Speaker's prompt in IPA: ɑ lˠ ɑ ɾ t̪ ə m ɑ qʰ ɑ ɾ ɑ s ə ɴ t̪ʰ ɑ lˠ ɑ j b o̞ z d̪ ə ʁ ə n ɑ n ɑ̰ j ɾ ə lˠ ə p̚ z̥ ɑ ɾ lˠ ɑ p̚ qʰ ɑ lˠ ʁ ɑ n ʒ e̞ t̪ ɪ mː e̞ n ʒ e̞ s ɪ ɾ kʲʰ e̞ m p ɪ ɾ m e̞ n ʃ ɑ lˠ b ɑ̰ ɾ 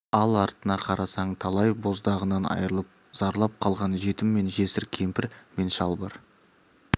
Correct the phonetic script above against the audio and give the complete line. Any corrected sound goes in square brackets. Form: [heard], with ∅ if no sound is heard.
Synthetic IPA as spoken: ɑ lˠ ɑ ɾ t̪ ə [n] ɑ qʰ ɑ ɾ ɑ s [ɑ] ɴ t̪ʰ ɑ lˠ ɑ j b o̞ z d̪ [ɑ] ʁ ə n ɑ n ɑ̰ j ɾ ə lˠ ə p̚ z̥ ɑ ɾ lˠ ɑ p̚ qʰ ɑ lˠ ʁ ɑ n ʒ e̞ t̪ ɪ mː e̞ n ʒ e̞ s ɪ ɾ kʲʰ e̞ m p ɪ ɾ m e̞ n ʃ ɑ lˠ b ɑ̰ ɾ

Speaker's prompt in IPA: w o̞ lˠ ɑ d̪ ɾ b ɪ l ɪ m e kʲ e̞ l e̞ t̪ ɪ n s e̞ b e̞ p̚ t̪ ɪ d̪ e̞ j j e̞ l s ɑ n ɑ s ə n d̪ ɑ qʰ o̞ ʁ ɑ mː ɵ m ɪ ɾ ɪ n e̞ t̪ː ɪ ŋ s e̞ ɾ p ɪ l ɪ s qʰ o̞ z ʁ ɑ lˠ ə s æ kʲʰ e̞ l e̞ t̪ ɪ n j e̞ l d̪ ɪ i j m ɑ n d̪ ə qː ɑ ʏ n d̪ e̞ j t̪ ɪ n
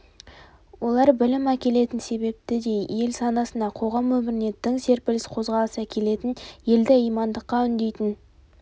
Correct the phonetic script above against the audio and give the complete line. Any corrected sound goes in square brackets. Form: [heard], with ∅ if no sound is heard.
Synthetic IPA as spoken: w o̞ lˠ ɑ [∅] ɾ b ɪ l ɪ m [æ] kʲ e̞ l e̞ t̪ ɪ n s e̞ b e̞ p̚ t̪ ɪ d̪ e̞ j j e̞ l s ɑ n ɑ s ə n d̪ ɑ qʰ o̞ ʁ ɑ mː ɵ m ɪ ɾ ɪ n e̞ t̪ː ɪ ŋ s e̞ ɾ p ɪ l ɪ s qʰ o̞ z ʁ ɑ lˠ ə s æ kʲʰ e̞ l e̞ t̪ ɪ n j e̞ l d̪ ɪ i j m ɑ n d̪ ə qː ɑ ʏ n d̪ e̞ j t̪ ɪ n

